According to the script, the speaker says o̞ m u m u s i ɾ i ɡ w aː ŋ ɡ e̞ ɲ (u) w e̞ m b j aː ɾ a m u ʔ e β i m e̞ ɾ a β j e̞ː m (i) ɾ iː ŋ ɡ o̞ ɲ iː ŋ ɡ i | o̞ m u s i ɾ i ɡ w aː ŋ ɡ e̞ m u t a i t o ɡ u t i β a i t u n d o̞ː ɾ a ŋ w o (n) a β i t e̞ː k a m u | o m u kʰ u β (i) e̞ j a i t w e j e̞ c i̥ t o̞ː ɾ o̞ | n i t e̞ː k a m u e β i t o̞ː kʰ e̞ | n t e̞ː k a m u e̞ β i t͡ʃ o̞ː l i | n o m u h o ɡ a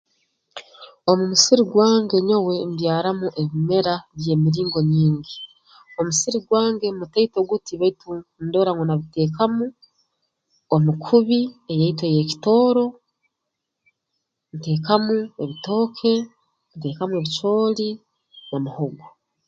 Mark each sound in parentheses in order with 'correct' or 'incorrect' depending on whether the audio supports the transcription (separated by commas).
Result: incorrect, correct, correct, correct